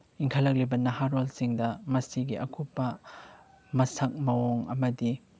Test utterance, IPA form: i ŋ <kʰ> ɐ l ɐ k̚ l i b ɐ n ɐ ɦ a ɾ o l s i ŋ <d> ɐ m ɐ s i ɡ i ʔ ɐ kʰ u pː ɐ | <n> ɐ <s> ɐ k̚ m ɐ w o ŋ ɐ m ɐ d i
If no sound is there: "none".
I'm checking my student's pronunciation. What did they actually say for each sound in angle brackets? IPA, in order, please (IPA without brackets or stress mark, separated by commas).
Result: kʰ, d, m, s